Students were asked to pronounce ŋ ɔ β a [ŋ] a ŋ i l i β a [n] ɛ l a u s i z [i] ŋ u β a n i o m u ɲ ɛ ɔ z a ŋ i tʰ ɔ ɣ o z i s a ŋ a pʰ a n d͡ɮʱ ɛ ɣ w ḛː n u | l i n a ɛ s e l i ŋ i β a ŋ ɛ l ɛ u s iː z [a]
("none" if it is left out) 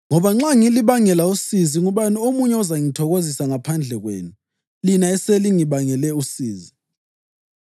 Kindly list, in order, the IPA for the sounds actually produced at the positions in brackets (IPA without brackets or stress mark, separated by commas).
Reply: ŋ͡ǁ, ŋ, i, i